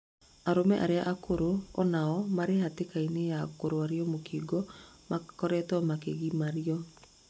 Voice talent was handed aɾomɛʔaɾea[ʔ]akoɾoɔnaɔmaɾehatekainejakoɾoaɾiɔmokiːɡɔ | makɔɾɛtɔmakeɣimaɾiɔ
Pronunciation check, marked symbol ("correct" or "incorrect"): correct